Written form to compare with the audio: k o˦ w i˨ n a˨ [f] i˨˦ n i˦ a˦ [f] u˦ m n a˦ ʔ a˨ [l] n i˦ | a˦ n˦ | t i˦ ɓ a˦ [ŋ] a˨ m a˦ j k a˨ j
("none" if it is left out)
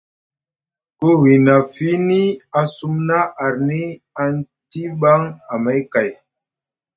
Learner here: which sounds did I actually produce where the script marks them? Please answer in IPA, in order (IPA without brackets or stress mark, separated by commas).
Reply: f, s, ɾ, ŋ